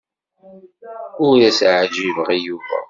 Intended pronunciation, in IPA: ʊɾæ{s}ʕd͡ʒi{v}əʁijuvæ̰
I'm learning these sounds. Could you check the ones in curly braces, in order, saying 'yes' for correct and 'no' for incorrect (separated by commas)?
yes, yes